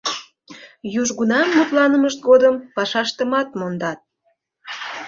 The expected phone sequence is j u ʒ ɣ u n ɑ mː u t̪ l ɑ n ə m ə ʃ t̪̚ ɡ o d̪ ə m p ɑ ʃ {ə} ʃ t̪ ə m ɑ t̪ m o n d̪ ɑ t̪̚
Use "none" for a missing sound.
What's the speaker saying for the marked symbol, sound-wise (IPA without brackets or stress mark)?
ɑ